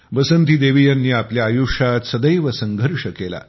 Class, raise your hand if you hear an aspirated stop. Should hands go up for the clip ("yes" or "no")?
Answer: no